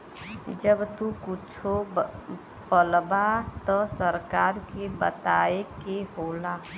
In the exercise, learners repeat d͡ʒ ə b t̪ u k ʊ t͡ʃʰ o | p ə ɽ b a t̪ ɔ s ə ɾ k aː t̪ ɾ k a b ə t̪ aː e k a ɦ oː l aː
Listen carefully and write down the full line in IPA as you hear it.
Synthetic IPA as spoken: d͡ʒ ə b t̪ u k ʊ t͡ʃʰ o | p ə l b a t̪ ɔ s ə ɾ k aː ɾ k e b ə t̪ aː e k e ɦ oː l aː